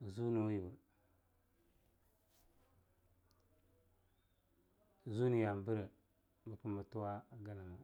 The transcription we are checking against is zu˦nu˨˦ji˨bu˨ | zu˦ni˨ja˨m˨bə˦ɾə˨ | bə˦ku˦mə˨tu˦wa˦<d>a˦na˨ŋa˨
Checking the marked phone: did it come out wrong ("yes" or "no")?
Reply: yes